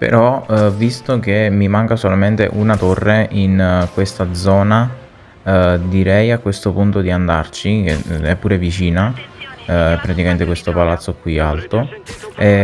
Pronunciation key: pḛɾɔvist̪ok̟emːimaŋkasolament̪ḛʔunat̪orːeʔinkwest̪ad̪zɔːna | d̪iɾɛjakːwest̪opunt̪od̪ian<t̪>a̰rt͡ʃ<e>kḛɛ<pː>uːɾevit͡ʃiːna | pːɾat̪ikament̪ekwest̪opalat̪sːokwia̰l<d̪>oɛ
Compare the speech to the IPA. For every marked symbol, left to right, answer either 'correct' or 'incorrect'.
incorrect: d̪, incorrect: i, correct, incorrect: t̪

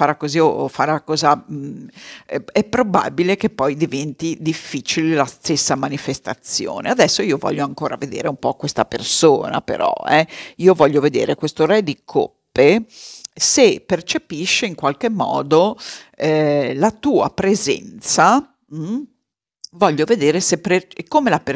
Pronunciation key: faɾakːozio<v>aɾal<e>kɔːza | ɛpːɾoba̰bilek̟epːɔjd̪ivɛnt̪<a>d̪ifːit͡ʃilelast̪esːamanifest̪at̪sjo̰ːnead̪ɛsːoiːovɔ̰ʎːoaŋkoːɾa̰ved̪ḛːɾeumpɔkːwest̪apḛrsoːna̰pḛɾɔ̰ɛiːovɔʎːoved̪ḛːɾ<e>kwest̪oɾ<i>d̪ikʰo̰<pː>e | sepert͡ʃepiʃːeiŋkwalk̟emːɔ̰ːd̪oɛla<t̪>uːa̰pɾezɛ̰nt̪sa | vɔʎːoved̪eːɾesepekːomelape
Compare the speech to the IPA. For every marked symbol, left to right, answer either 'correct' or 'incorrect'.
incorrect: f, incorrect: a, incorrect: i, correct, incorrect: ɛ, correct, correct

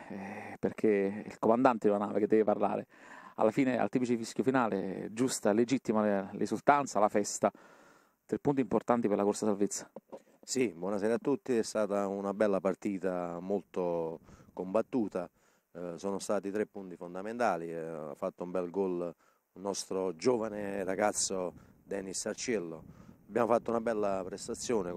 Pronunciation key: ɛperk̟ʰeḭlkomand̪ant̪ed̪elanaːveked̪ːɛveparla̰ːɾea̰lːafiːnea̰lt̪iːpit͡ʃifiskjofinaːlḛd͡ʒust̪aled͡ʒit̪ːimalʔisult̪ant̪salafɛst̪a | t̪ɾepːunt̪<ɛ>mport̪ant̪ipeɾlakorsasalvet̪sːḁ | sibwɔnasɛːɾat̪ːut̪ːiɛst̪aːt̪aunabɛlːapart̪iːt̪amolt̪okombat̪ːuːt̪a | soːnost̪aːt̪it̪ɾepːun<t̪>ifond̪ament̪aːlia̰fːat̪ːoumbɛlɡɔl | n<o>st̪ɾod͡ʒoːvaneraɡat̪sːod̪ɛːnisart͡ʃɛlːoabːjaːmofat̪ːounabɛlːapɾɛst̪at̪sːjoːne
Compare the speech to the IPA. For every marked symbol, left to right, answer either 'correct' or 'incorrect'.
incorrect: i, correct, incorrect: ɔ

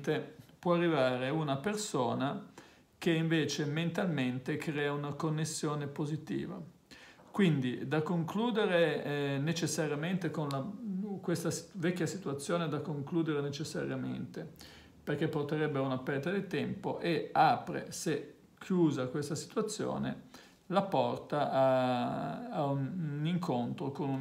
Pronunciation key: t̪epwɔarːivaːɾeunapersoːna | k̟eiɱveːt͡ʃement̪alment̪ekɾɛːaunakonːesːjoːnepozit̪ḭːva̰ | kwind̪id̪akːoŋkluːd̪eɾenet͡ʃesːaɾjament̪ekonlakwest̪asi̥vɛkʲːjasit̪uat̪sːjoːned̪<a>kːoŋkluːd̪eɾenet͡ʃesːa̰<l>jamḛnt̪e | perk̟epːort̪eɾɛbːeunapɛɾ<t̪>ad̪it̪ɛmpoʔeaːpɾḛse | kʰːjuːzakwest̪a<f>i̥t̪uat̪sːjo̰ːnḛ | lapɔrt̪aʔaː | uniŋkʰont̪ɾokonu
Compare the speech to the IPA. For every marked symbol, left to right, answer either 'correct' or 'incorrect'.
correct, incorrect: ɾ, correct, incorrect: s

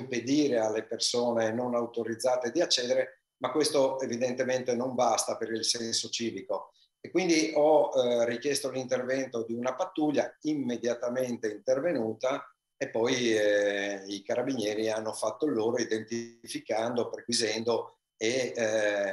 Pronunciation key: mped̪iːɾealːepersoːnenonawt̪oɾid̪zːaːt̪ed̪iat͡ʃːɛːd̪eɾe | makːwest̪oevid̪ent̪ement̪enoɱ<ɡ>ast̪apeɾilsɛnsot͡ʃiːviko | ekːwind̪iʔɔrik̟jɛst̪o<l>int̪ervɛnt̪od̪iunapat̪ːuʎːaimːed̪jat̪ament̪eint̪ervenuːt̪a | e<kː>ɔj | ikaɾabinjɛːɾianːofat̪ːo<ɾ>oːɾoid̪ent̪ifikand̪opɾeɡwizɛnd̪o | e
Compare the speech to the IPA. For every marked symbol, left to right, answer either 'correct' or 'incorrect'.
incorrect: b, correct, incorrect: pː, incorrect: l

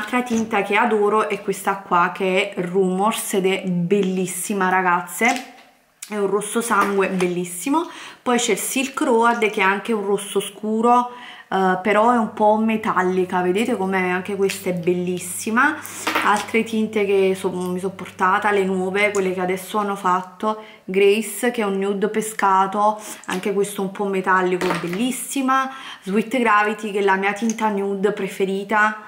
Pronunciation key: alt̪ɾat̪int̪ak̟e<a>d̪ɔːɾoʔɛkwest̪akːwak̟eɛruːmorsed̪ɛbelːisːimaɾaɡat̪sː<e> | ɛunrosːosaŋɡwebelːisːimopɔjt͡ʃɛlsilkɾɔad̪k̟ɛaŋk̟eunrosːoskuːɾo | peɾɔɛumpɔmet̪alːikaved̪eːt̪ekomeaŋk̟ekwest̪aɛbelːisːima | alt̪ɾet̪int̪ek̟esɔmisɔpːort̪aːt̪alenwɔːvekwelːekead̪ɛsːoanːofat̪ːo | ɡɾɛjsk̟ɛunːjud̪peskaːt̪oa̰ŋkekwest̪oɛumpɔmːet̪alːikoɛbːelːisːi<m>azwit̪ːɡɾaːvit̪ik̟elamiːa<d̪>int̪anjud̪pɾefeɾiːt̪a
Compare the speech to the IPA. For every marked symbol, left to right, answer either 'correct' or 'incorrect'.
correct, correct, correct, incorrect: t̪

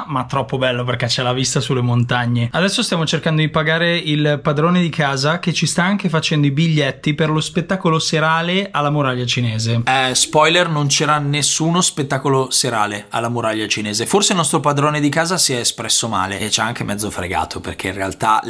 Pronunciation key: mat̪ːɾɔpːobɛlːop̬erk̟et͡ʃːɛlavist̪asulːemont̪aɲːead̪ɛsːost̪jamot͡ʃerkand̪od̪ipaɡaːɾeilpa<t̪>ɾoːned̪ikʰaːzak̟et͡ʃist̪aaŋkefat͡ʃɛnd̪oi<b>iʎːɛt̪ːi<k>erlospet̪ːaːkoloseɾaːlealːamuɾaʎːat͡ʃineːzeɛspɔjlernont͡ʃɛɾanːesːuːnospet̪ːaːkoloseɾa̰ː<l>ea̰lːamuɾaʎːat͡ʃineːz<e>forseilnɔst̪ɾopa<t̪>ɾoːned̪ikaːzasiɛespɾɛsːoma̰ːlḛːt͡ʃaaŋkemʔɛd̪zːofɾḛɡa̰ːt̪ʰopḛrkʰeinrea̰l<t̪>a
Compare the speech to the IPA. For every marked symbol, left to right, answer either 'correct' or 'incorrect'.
incorrect: d̪, correct, incorrect: p, correct, correct, incorrect: d̪, correct

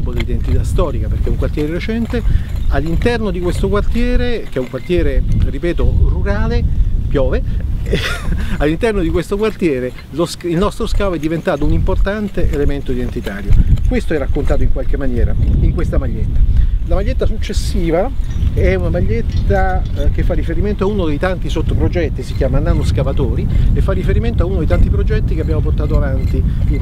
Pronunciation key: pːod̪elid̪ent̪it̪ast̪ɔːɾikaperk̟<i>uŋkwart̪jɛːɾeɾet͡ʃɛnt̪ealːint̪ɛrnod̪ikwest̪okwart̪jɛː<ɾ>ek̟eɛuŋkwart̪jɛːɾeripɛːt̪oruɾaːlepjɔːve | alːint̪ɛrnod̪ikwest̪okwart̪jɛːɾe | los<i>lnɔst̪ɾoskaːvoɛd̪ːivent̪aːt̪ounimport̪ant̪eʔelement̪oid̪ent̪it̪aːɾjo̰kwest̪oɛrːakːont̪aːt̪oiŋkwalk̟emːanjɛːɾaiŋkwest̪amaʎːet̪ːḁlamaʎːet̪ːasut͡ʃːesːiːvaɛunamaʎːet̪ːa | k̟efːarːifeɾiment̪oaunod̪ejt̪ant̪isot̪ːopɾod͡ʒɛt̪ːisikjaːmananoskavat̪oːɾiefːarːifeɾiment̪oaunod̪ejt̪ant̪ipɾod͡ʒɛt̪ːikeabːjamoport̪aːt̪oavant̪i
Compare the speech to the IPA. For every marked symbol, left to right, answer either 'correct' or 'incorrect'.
incorrect: ɛ, correct, correct

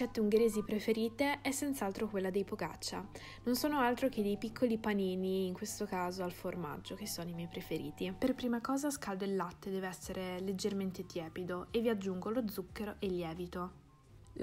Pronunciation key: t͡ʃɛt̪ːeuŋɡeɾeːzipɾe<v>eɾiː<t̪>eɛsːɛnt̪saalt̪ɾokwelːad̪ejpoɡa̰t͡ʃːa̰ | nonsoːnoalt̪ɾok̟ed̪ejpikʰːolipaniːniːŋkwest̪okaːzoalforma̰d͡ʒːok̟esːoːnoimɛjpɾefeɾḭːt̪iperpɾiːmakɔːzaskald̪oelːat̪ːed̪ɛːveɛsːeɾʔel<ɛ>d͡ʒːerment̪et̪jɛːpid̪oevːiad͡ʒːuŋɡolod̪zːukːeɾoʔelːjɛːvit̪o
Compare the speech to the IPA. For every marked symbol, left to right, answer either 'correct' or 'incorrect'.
incorrect: f, correct, incorrect: e

